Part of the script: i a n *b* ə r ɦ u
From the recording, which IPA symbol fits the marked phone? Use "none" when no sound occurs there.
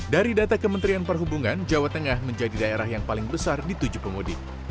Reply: p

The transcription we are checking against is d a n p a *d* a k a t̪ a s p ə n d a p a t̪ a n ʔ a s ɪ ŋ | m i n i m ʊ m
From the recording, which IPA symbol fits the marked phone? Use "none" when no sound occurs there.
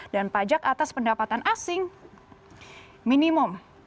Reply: d͡ʒ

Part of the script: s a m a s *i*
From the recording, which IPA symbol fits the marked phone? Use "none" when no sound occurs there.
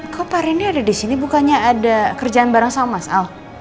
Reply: a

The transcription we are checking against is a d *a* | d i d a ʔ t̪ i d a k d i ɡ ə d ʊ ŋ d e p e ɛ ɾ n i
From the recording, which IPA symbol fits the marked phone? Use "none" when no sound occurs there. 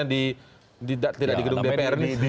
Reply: i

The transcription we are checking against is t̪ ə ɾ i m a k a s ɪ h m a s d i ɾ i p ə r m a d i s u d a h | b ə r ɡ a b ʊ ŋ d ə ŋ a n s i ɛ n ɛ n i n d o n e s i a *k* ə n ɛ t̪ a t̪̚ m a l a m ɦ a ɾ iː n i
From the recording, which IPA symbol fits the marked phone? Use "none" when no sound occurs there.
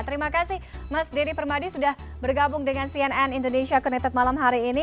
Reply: k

